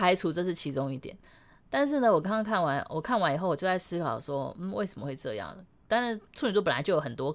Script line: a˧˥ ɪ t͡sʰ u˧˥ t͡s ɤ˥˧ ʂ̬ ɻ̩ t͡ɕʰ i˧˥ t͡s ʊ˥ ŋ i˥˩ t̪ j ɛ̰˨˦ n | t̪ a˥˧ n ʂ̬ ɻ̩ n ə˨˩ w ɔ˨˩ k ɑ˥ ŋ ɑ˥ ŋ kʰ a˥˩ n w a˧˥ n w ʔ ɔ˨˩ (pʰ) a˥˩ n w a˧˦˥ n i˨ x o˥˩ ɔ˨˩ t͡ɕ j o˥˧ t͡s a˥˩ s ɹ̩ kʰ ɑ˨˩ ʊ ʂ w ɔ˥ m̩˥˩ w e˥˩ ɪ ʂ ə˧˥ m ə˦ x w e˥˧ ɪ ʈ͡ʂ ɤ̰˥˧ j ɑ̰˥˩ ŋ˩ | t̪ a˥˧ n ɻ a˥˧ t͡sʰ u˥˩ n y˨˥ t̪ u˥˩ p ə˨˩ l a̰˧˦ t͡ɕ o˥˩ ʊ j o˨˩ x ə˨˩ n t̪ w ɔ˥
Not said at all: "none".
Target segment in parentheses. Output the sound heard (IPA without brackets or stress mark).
kʰ